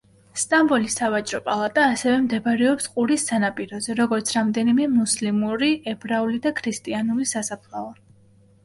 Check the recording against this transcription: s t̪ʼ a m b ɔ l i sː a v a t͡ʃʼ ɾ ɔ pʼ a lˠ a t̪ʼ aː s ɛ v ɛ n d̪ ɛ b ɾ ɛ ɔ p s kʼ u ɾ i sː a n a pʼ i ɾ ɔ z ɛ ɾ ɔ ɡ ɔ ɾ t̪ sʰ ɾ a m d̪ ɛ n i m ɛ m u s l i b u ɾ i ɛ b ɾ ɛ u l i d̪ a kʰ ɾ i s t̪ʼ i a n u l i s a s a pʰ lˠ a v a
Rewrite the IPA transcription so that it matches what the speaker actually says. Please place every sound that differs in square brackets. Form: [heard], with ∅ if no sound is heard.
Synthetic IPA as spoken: s t̪ʼ a m b ɔ l i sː a v a t͡ʃʼ ɾ ɔ pʼ a lˠ a t̪ʼ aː s ɛ v ɛ [m] d̪ ɛ b ɾ ɛ ɔ p s [qʼ] u ɾ i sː a n a pʼ i ɾ ɔ z ɛ ɾ ɔ ɡ ɔ ɾ t̪ sʰ ɾ a m d̪ ɛ n i m ɛ m u s l i [m] u ɾ i ɛ b ɾ [a] u l i d̪ a kʰ ɾ i s t̪ʼ i a n u l i s a s a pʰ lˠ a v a